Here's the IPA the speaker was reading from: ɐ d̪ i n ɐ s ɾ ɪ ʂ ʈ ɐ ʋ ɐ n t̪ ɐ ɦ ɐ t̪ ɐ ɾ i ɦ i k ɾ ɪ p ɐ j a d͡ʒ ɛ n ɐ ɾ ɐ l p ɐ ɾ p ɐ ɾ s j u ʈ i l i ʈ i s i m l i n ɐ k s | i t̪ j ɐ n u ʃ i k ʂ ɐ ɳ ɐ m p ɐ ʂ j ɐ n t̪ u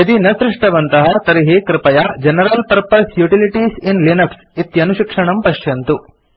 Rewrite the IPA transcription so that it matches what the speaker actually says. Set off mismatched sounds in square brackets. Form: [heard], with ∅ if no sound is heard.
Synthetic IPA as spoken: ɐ d̪ i n ɐ s ɾ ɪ ʂ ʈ ɐ ʋ ɐ n t̪ ɐ ɦ ɐ t̪ ɐ ɾ i ɦ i k ɾ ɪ p ɐ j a d͡ʒ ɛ n ɐ ɾ ɐ l p ɐ ɾ p ɐ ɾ s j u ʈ i l i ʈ i s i [n] l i n ɐ k s | i t̪ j ɐ n u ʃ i k ʂ ɐ ɳ ɐ m p ɐ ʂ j ɐ n t̪ u